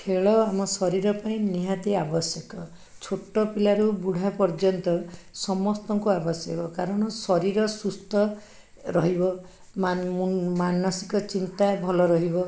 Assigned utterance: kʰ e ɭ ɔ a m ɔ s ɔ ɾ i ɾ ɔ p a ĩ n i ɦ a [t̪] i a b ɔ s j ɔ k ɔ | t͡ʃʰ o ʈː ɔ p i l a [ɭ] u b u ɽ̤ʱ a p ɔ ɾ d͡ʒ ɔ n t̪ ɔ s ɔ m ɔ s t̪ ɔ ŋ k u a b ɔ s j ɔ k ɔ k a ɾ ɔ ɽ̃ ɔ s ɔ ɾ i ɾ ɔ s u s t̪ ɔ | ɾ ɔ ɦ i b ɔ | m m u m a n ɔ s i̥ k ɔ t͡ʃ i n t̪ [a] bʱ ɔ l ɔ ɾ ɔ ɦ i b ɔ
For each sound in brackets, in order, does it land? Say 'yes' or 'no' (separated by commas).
yes, no, yes